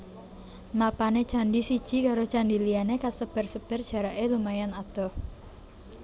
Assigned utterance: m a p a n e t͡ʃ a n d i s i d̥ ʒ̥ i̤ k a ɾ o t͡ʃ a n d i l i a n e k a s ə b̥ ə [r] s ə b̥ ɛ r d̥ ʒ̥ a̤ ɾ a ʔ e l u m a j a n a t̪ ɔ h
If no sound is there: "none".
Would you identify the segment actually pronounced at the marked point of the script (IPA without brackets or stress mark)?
r